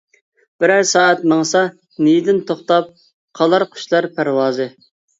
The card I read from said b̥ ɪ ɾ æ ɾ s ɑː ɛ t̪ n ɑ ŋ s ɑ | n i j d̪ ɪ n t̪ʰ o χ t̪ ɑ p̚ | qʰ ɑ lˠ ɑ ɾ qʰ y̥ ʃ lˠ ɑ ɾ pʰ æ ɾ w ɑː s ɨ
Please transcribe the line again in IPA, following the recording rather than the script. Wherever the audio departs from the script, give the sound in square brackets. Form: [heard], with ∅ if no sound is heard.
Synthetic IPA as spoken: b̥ ɪ ɾ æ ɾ s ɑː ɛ t̪ [m] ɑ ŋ s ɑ | n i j d̪ ɪ n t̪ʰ o χ t̪ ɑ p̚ | qʰ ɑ lˠ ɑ ɾ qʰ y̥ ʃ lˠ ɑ ɾ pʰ æ ɾ w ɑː [z] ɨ